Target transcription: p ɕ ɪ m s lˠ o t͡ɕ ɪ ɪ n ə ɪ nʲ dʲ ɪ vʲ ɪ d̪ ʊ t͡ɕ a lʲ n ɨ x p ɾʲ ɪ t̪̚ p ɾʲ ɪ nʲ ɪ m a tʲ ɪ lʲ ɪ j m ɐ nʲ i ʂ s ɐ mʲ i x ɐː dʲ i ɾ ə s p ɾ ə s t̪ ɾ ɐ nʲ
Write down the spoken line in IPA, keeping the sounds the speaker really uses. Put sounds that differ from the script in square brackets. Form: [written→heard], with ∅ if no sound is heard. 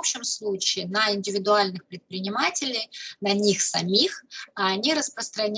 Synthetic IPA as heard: p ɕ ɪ m s lˠ [o→u] t͡ɕ ɪ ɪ n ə ɪ nʲ dʲ ɪ vʲ ɪ d̪ ʊ [t͡ɕ→∅] a lʲ n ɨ x p ɾʲ ɪ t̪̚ p ɾʲ ɪ nʲ ɪ m a tʲ ɪ lʲ ɪ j [m→n] ɐ nʲ i [ʂ→x] s ɐ mʲ i x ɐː [dʲ→nʲ] i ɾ ə s p ɾ ə s t̪ ɾ ɐ nʲ